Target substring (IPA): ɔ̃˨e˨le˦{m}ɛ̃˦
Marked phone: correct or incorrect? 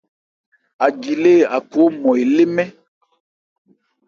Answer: correct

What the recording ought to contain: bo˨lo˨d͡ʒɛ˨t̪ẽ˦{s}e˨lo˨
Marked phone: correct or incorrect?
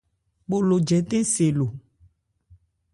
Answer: correct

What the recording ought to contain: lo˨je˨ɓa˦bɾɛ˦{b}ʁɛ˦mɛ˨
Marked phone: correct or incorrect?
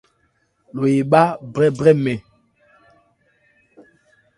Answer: correct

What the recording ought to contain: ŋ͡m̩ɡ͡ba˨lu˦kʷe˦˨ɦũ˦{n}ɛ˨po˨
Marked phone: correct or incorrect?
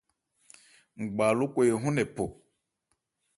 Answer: correct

